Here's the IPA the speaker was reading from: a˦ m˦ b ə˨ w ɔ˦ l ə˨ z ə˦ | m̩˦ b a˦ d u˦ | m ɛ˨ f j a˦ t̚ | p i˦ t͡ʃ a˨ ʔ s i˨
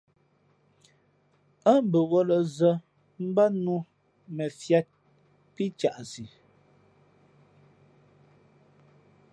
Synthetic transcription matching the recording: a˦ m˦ b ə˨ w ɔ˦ l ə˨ z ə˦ | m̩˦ b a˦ n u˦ | m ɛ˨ f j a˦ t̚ | p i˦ t͡ʃ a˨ ʔ s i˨